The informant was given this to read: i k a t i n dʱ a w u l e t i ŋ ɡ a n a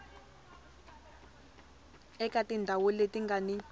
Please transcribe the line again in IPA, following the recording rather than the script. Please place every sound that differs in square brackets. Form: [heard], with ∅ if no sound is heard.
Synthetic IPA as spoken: [ɛ] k a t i n dʱ a w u l e t i ŋ ɡ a n [i]